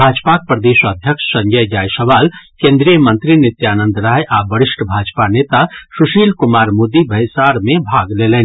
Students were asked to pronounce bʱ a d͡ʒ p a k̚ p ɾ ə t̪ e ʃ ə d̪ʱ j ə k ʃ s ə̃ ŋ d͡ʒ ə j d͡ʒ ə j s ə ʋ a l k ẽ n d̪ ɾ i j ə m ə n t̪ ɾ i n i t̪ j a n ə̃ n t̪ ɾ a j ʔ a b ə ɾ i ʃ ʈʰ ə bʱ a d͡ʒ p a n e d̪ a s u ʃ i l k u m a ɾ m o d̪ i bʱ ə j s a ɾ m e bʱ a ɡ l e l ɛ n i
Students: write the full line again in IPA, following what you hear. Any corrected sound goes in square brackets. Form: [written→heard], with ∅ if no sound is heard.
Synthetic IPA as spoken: bʱ a d͡ʒ p a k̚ p ɾ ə [t̪→d̪] e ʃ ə d̪ʱ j ə k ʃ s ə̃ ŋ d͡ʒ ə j d͡ʒ [ə→a] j s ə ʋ a l k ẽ n d̪ ɾ i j ə m ə n t̪ ɾ i n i t̪ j a n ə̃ n [t̪→d̪] ɾ a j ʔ a b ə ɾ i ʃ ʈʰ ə bʱ a d͡ʒ p a n e [d̪→t̪] a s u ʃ i l k u m a ɾ m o d̪ i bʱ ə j s a ɾ m e bʱ a ɡ l e l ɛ n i